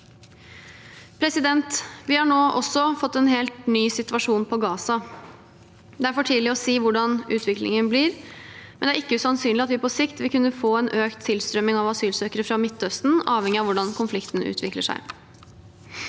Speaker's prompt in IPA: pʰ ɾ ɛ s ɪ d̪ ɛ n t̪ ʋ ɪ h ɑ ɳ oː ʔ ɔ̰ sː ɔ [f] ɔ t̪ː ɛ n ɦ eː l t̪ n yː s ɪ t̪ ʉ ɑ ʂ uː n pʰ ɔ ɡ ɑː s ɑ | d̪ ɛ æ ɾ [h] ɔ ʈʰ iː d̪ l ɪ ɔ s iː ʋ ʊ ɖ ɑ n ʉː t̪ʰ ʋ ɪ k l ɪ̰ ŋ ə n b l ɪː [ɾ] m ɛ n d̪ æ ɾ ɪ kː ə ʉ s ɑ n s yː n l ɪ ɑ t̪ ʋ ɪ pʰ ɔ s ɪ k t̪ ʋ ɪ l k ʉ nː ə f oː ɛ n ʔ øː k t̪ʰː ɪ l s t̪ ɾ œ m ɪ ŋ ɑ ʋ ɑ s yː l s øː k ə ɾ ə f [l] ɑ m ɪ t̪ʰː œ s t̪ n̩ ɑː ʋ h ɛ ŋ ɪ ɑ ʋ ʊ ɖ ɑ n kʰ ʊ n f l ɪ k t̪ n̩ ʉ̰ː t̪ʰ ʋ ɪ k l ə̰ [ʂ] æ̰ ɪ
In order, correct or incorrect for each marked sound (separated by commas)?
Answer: correct, incorrect, correct, incorrect, correct